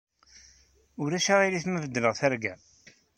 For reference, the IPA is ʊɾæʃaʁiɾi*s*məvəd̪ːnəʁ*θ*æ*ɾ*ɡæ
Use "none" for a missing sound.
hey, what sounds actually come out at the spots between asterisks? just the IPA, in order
θ, θ, ɾ

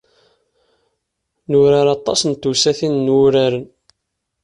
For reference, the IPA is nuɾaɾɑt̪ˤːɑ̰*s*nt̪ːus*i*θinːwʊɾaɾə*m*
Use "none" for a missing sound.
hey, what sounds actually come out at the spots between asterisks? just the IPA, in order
s, æ, n

